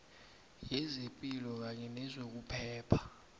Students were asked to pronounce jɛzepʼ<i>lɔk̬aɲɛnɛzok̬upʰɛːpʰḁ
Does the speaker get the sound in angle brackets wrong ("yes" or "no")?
no